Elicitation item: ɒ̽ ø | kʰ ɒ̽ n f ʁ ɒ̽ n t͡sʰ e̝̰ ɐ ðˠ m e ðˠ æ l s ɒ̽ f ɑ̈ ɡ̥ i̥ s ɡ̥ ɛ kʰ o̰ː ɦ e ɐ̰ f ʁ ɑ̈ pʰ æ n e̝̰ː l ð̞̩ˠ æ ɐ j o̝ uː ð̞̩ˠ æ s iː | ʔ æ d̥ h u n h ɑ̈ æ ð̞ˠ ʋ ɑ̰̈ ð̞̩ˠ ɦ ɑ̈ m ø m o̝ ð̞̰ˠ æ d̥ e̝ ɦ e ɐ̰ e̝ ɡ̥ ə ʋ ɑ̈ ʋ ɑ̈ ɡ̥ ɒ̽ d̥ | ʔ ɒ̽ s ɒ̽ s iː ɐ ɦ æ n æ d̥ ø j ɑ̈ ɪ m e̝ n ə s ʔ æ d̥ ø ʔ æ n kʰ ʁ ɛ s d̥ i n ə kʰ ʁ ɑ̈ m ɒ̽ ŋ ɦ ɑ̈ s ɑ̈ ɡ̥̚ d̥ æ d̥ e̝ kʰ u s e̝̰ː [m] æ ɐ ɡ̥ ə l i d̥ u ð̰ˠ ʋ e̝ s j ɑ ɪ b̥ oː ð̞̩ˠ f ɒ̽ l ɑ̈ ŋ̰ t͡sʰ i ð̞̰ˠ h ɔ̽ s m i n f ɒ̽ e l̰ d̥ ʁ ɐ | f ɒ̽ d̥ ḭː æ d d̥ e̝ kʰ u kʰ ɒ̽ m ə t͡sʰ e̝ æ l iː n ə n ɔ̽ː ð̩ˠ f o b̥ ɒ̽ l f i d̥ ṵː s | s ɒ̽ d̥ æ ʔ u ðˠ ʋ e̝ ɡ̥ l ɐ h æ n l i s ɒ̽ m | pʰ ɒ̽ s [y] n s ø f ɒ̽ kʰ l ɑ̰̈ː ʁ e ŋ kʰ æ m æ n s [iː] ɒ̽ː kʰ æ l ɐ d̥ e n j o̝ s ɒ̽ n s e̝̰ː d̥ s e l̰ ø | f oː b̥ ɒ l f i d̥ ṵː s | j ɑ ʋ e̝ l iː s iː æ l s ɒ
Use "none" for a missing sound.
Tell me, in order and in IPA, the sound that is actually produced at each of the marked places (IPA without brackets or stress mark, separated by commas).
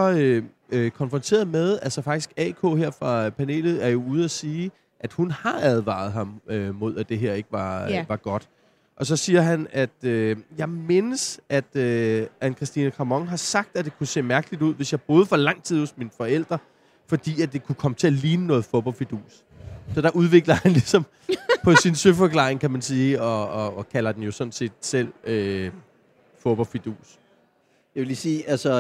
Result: m, i, iː